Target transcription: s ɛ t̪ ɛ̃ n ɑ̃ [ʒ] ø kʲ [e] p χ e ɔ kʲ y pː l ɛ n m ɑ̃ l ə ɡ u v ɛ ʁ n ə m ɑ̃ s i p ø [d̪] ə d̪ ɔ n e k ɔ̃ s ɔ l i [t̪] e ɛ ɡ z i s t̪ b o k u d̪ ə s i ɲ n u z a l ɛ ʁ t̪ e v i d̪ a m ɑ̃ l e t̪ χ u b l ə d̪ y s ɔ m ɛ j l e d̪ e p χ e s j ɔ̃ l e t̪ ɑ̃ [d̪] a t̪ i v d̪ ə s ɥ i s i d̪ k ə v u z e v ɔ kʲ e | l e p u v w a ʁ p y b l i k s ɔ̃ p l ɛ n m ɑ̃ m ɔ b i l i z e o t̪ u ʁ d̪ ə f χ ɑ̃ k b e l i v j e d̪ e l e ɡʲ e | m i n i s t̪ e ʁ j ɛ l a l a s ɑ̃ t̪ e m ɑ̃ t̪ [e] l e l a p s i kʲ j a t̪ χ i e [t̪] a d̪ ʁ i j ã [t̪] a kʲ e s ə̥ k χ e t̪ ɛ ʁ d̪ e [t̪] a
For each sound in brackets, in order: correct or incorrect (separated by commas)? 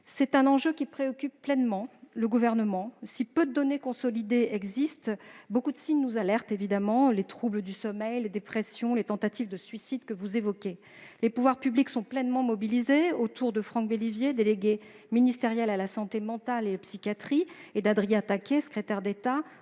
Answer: correct, incorrect, correct, incorrect, incorrect, incorrect, incorrect, correct, correct